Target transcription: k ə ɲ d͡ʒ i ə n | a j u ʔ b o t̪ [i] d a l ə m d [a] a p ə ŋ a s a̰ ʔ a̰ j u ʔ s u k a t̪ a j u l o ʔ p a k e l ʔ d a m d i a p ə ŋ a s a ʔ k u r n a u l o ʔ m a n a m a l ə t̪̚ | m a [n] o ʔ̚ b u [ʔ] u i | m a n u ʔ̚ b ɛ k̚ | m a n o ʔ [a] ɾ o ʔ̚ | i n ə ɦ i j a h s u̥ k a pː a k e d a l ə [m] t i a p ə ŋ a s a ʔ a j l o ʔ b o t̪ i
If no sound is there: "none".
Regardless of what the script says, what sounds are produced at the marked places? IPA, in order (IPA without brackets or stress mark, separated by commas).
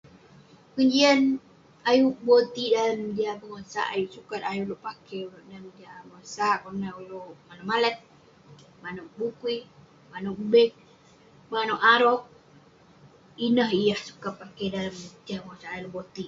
i, i, n, k, a, m